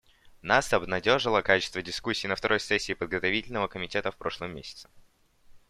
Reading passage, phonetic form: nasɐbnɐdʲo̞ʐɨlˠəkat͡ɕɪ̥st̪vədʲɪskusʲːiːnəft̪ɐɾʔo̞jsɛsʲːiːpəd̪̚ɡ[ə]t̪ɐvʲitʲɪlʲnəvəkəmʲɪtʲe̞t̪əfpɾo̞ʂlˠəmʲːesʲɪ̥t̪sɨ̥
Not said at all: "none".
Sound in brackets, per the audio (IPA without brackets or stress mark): ə